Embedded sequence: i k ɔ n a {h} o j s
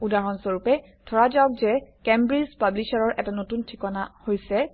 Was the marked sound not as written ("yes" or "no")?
no